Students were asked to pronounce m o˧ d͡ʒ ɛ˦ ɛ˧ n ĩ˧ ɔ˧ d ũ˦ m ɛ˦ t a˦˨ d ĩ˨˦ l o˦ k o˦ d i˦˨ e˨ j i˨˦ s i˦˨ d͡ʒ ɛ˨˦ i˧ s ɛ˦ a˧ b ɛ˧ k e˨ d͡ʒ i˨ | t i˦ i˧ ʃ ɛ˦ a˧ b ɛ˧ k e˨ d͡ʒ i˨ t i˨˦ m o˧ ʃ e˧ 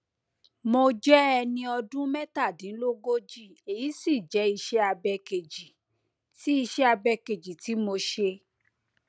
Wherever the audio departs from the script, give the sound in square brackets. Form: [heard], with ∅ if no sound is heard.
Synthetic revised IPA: m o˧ d͡ʒ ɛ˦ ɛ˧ n ĩ˧ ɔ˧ d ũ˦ m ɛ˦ t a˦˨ d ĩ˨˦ l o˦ [ɡ] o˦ [d͡ʒ] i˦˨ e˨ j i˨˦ s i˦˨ d͡ʒ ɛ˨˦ i˧ [ʃ] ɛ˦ a˧ b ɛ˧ k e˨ d͡ʒ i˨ | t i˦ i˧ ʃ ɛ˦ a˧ b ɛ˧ k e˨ d͡ʒ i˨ t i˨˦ m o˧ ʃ e˧